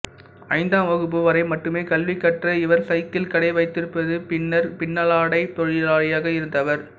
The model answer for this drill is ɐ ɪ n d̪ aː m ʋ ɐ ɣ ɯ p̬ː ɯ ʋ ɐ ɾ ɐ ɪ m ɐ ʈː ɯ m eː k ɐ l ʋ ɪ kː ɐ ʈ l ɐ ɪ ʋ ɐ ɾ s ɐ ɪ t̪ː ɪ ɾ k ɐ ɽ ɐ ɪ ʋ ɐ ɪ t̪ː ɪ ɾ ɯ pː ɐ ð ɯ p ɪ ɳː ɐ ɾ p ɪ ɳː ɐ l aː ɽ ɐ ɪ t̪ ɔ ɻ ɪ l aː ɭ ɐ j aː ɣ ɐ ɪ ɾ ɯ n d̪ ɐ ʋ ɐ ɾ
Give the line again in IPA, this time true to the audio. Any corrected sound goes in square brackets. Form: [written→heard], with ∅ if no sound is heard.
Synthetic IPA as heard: ɐ ɪ n d̪ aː m ʋ ɐ ɣ ɯ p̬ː ɯ ʋ ɐ ɾ ɐ ɪ m ɐ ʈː ɯ m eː k ɐ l ʋ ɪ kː ɐ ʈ [l→r] ɐ ɪ ʋ ɐ ɾ s ɐ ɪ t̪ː ɪ [ɾ→l] k ɐ ɽ ɐ ɪ ʋ ɐ ɪ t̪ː ɪ ɾ ɯ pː ɐ ð ɯ p ɪ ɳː ɐ ɾ p ɪ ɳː ɐ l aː ɽ ɐ ɪ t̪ ɔ ɻ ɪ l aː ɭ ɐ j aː ɣ ɐ ɪ ɾ ɯ n d̪ ɐ ʋ ɐ ɾ